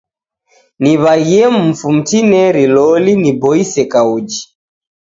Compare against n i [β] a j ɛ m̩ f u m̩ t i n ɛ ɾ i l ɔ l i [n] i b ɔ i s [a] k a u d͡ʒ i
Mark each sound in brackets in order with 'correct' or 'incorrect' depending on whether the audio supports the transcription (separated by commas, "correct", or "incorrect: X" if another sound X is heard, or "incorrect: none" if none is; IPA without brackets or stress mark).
correct, correct, incorrect: ɛ